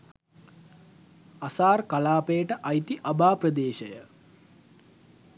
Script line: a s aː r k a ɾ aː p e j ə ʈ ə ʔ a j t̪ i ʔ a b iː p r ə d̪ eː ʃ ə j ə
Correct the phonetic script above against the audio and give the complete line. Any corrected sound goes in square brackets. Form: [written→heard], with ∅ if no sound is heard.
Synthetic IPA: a s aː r k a [ɾ→l] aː p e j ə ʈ ə ʔ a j t̪ i ʔ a b [iː→aː] p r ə d̪ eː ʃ ə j ə